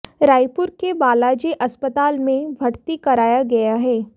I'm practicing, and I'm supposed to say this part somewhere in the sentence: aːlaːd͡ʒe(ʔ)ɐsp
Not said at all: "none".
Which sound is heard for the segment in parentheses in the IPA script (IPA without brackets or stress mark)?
ʔ